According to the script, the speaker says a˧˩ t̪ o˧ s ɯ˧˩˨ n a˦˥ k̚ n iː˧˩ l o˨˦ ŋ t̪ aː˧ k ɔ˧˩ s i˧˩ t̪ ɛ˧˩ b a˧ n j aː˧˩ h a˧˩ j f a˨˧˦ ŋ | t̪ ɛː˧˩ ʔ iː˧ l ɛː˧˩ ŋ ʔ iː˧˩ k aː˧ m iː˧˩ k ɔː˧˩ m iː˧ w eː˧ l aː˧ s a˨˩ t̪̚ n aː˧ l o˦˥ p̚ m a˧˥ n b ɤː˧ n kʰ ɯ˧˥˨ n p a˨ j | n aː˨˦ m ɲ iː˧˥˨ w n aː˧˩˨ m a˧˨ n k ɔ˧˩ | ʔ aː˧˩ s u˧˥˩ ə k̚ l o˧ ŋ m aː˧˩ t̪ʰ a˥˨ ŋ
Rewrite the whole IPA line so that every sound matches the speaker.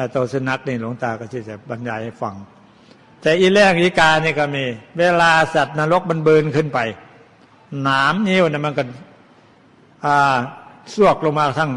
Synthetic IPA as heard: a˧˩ t̪ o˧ s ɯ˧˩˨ n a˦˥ k̚ n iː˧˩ l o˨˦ ŋ t̪ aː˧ k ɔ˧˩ s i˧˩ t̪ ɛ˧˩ b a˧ n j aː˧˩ h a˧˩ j f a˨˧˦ ŋ | t̪ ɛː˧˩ ʔ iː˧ l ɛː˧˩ ŋ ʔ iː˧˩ k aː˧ n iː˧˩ k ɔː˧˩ m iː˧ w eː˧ l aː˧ s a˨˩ t̪̚ n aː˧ l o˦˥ k̚ m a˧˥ n b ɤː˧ n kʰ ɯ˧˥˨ n p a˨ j | n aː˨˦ m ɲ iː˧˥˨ w n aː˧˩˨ m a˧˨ n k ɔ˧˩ | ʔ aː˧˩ s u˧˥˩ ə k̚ l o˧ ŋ m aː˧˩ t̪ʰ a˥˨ ŋ